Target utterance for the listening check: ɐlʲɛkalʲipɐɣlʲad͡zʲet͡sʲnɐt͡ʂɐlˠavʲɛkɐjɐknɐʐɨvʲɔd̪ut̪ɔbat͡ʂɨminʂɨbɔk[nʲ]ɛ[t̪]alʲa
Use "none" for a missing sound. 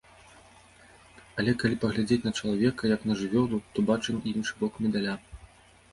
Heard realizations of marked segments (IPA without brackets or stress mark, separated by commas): mʲ, d̪